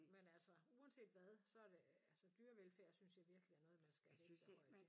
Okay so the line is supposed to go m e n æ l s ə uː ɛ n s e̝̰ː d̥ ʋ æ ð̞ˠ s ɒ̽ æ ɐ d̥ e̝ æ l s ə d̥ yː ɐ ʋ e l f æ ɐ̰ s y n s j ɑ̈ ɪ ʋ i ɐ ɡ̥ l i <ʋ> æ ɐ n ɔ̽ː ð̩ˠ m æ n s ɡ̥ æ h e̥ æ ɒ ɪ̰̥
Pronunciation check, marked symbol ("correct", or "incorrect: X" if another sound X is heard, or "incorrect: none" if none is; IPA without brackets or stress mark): incorrect: none